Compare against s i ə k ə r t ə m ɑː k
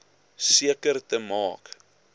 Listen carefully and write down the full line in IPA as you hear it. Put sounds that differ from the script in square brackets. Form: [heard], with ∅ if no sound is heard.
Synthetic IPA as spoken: s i ə k ə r t ə m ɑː k